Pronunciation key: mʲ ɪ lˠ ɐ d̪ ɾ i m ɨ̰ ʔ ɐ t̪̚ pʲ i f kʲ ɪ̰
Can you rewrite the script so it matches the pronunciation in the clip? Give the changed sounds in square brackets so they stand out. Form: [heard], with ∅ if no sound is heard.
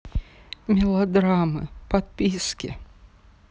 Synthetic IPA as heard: mʲ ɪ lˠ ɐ d̪ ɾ [a] m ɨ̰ [p] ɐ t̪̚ pʲ i [s] kʲ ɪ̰